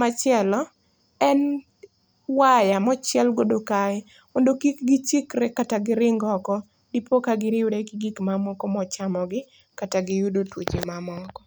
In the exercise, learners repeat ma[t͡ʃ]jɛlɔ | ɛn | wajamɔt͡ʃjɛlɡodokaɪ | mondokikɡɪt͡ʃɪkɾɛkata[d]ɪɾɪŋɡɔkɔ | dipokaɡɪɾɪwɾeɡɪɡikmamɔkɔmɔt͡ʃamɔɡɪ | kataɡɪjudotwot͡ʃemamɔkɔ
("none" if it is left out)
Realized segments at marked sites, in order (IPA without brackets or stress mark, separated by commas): t͡ʃ, ɡ